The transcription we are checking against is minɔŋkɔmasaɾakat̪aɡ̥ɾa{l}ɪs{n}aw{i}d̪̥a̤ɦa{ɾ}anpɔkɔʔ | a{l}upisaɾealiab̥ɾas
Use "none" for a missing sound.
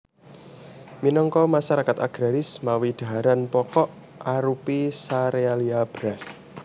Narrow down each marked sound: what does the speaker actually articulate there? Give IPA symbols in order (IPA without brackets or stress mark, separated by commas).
ɾ, m, i, ɾ, ɾ